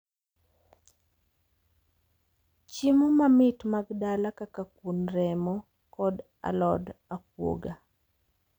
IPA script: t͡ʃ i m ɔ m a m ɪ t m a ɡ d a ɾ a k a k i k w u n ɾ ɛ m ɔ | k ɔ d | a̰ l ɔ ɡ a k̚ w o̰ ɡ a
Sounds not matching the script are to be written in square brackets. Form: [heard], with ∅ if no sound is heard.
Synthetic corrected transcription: t͡ʃ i m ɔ m a m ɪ t m a ɡ d a [l] a k a k [a] k w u n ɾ ɛ m ɔ | k ɔ d | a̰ l ɔ [d] a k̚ w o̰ ɡ a